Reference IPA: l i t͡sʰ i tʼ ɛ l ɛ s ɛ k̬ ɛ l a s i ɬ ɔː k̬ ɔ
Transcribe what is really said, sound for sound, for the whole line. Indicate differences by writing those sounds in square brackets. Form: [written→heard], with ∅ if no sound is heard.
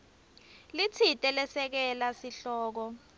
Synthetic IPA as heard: l i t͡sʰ i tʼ ɛ l ɛ s ɛ k̬ ɛ l a s i ɬ ɔː k̬ ɔ